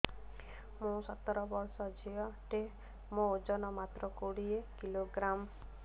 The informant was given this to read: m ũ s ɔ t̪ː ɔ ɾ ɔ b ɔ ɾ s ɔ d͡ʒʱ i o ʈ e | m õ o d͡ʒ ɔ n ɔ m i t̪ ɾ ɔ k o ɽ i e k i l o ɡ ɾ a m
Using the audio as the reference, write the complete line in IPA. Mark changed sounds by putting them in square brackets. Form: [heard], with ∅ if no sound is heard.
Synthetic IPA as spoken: m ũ s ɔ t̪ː ɔ ɾ ɔ b ɔ ɾ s ɔ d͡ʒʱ i [ɔ] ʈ e | m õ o d͡ʒ ɔ n ɔ m [a] t̪ ɾ ɔ k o ɽ i e k i l o ɡ ɾ a m

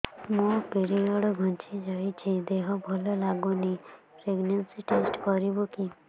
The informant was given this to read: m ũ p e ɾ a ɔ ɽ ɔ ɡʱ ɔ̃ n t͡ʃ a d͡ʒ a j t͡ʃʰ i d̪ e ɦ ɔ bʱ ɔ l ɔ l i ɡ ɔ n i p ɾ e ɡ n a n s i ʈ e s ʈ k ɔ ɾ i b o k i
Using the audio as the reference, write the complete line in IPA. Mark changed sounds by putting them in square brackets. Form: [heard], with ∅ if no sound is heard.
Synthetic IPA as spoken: m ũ p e ɾ [i] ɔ ɽ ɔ ɡʱ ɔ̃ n t͡ʃ [i] d͡ʒ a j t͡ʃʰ i d̪ e ɦ ɔ bʱ ɔ l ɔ l [a] ɡ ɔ n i p ɾ e ɡ n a n s i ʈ e s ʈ k ɔ ɾ i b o k i

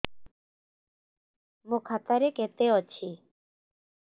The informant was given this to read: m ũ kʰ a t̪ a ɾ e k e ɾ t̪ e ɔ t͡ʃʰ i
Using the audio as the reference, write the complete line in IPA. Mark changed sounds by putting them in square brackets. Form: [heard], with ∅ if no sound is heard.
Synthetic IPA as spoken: m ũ kʰ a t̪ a ɾ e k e [∅] t̪ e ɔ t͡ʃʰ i

